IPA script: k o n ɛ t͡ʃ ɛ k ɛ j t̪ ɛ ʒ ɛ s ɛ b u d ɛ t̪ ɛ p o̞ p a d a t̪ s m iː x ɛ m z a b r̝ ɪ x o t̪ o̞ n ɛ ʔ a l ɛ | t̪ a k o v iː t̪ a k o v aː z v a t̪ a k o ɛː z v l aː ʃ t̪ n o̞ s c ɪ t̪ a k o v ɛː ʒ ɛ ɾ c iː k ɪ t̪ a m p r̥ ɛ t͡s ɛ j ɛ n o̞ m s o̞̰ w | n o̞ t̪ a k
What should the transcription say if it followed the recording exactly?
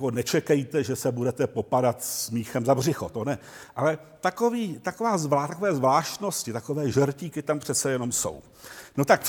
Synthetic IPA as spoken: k o n ɛ t͡ʃ ɛ k ɛ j t̪ ɛ ʒ ɛ s ɛ b u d ɛ t̪ ɛ p o̞ p a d a t̪ s m iː x ɛ m z a b r̝ ɪ x o t̪ o̞ n ɛ ʔ a l ɛ | t̪ a k o v iː t̪ a k o v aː z v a t̪ a k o ɛː z v l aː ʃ t̪ n o̞ s c ɪ t̪ a k o v ɛː ʒ ɛ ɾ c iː k ɪ t̪ a m p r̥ ɛ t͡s ɛ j ɛ n o̞ m s o̞̰ w | n o̞ t̪ a k